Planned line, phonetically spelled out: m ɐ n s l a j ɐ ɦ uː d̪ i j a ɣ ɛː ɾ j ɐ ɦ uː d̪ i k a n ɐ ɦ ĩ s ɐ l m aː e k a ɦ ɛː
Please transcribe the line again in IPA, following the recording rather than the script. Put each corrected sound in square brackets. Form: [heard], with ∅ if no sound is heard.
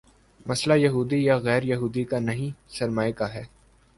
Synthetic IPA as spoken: m ɐ [∅] s l a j ɐ ɦ uː d̪ i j a ɣ ɛː ɾ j ɐ ɦ uː d̪ i k a n ɐ ɦ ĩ s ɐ [ɾ] m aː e k a ɦ ɛː